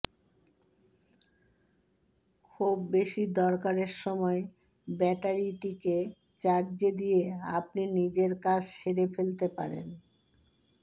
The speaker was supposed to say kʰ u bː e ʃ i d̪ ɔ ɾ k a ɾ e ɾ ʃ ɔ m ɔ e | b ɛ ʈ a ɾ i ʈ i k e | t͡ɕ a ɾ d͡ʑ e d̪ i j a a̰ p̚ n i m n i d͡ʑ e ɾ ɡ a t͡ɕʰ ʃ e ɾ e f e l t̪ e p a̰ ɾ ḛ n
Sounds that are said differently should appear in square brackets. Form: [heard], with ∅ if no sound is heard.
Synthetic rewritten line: kʰ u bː e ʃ i d̪ ɔ ɾ k a ɾ e ɾ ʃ ɔ m ɔ e | b ɛ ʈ a ɾ i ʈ i k e | t͡ɕ a ɾ d͡ʑ e d̪ i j [e] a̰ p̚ n i [∅] n i d͡ʑ e ɾ [k] a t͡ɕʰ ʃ e ɾ e f e l t̪ e p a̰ ɾ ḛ n